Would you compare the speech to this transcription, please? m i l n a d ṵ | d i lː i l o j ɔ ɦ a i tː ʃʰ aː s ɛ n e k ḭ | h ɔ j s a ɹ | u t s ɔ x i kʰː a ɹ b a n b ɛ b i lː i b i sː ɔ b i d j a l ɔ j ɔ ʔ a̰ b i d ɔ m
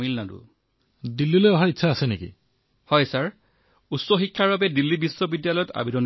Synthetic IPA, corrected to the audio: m i l n a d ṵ | d i lː i l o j ɔ ɦ a i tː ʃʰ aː s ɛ n e k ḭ | h ɔ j s a ɹ | u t s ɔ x i kʰː a ɹ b a b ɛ d i lː i b i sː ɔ b i d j a l ɔ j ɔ t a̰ b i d ɔ n

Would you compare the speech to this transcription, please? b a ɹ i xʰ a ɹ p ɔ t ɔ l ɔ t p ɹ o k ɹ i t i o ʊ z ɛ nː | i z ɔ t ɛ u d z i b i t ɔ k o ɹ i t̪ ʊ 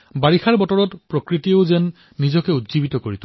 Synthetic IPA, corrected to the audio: b a ɹ i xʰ a ɹ b ɔ t ɔ ɹ ɔ t p ɹ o k ɹ i t i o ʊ z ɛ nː | i z ɔ k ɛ u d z i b i t ɔ k o ɹ i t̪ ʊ

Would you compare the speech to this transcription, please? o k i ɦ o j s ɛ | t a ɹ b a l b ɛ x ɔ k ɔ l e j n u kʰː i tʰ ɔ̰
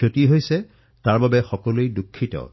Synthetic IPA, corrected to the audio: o t i ɦ o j s ɛ | t a ɹ b a b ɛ x ɔ k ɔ l e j d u kʰː i t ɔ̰

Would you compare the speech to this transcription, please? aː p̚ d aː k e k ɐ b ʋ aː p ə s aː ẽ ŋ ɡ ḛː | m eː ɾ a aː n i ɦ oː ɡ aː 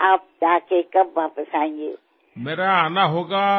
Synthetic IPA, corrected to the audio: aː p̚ d͡ʒ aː k e k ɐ b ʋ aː p ə s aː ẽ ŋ ɡ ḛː | m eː ɾ a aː n a ɦ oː ɡ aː

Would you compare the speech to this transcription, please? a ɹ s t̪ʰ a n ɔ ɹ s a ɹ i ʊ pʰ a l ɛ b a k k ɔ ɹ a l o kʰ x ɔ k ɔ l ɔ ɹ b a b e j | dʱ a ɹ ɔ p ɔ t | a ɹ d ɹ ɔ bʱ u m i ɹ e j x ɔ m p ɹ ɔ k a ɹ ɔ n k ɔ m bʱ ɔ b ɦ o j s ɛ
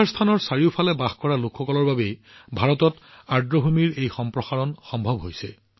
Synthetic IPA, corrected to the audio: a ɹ s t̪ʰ a n ɔ ɹ s a ɹ i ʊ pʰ a l ɛ b a x k ɔ ɹ a l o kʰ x ɔ k ɔ l ɔ ɹ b a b e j | bʱ a ɹ ɔ t ɔ t | a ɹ d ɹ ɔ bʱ u m i ɹ e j x ɔ m p ɹ ɔ x a ɹ ɔ n x ɔ m bʱ ɔ b ɦ o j s ɛ

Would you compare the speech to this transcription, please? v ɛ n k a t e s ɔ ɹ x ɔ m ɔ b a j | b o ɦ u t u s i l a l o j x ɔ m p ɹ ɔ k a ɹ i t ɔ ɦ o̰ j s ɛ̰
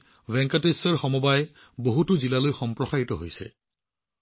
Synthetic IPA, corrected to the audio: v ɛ ŋ k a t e s ɔ ɹ x ɔ m ɔ b a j | b o ɦ u t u z i l a l o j x ɔ m p ɹ ɔ x a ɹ i t ɔ ɦ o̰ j s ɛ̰

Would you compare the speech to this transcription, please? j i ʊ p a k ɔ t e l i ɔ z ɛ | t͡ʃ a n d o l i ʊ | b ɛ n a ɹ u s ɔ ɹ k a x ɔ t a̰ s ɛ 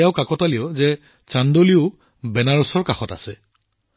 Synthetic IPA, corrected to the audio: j a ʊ k a k ɔ t a l i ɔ z ɛ | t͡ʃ a n d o l i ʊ | b ɛ n a ɹ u s ɔ ɹ k a x ɔ t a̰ s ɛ

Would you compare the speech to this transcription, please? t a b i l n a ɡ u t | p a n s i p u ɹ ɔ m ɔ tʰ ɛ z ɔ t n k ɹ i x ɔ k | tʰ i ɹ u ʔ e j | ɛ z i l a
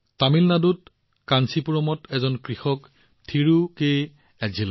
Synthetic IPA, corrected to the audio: t a m i l n a d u t | k a n s i p u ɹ ɔ m ɔ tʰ ɛ z ɔ n k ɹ i x ɔ k | tʰ i ɹ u k e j | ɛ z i l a

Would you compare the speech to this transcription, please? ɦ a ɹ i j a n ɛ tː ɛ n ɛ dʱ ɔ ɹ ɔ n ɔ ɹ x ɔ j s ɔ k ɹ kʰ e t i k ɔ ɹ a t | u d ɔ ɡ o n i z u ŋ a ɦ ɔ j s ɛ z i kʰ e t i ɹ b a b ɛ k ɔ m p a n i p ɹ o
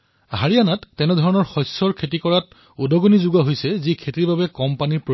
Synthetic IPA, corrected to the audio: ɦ a ɹ i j a n a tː ɛ n ɛ dʱ ɔ ɹ ɔ n ɔ ɹ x ɔ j s ɔ ɹ kʰ e t i k ɔ ɹ a t | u d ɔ ɡ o n i z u ɡ a ɦ o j s ɛ z i kʰ e t i ɹ b a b ɛ k ɔ m p a n i p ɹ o

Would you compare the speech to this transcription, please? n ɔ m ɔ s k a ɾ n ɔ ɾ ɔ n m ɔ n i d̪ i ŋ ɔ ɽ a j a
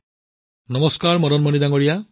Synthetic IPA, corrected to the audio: n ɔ m ɔ s k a ɾ m ɔ ɾ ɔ n m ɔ n i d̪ a ŋ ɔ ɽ i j a

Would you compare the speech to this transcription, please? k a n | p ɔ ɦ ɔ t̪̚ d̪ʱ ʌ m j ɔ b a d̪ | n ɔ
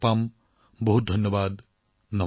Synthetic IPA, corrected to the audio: p a m | b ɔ ɦ u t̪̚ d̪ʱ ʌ n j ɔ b a d̪ | n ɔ

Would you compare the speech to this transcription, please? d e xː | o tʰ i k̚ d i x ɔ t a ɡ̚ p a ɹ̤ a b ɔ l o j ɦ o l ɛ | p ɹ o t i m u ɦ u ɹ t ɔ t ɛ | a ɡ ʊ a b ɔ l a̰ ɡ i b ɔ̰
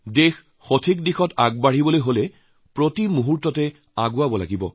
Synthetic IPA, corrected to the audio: d e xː | o tʰ i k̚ d i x ɔ t a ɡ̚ b a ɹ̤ i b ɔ l o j ɦ o l ɛ | p ɹ o t i m u ɦ u ɹ t ɔ t ɛ | a ɡ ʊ a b ɔ l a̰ ɡ i b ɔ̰

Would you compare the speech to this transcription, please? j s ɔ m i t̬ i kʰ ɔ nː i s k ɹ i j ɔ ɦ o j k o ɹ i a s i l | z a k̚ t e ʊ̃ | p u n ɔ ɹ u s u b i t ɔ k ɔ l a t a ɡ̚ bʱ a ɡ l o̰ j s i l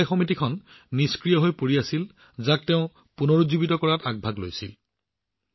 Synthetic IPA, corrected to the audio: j x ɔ m i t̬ i kʰ ɔ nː i s k ɹ i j ɔ ɦ o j p o ɹ i a s i l | z a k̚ t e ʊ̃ | p u n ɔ ɹ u z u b i t ɔ k ɔ ɹ a t a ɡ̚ bʱ a ɡ l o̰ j s i l

